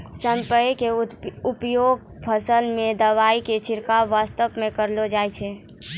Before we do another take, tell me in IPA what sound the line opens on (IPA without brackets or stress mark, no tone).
s